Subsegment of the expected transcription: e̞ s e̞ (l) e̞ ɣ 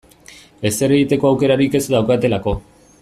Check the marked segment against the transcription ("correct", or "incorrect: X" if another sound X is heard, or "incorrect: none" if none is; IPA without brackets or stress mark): incorrect: ɾ